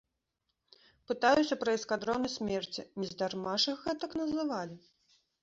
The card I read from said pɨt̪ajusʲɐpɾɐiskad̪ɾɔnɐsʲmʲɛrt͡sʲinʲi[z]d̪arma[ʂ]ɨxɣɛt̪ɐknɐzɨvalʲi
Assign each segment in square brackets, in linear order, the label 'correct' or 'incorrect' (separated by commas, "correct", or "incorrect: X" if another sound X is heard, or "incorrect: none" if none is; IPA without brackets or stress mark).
correct, correct